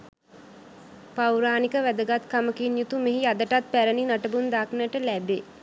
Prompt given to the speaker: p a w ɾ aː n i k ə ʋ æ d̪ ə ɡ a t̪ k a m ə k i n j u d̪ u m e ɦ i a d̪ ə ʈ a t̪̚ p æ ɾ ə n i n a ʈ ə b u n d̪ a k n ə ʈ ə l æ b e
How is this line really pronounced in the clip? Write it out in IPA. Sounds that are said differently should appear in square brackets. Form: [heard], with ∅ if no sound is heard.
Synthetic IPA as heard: p a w ɾ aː n i k ə ʋ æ d̪ ə ɡ a t̪ k a m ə k i n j u [t̪] u m e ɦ i a d̪ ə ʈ a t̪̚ p æ ɾ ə n i n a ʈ ə b u n d̪ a k n ə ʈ ə l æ b e